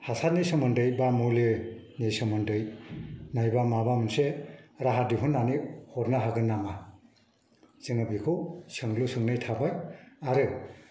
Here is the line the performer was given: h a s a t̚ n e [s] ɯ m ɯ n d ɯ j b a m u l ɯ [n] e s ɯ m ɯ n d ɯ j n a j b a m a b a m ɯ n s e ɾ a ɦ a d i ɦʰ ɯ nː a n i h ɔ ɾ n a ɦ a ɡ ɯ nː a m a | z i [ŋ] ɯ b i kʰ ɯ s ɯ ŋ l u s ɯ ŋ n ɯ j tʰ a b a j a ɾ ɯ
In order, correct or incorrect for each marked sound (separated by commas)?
correct, correct, correct